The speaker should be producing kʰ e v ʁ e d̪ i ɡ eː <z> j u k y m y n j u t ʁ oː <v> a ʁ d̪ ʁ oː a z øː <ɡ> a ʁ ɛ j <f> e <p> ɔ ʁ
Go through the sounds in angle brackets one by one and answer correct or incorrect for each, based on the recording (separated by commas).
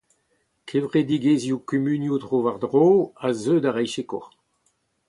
correct, correct, incorrect, incorrect, incorrect